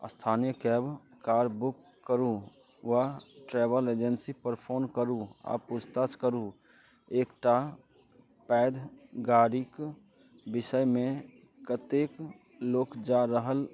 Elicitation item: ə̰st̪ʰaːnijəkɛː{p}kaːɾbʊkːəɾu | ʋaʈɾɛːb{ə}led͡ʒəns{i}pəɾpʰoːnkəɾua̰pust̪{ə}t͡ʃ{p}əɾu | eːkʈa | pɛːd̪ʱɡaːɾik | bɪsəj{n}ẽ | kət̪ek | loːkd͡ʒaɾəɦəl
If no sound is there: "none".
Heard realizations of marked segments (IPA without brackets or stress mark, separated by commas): b, ə, i, a, k, m